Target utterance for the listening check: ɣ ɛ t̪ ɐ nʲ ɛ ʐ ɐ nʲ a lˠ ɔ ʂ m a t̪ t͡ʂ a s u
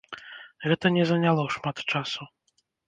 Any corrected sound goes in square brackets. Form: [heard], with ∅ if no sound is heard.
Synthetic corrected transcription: ɣ ɛ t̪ ɐ nʲ ɛ [z] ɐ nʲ a lˠ ɔ ʂ m a t̪ t͡ʂ a s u